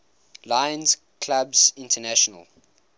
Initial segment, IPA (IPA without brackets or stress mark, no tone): l